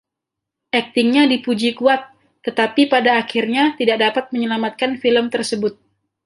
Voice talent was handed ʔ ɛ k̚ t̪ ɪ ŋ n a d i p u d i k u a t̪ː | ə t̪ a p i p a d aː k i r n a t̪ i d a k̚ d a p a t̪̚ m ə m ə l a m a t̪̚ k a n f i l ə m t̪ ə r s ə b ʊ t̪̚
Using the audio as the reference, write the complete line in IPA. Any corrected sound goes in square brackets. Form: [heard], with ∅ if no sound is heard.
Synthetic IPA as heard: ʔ ɛ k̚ t̪ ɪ ŋ [ɲ] a d i p u [d͡ʒ] i k u a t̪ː | ə t̪ a p i p a d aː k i r [ɲ] a t̪ i d a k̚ d a p a t̪̚ m ə [ɲ] ə l a m a t̪̚ k a n f i l ə m t̪ ə r s ə b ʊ t̪̚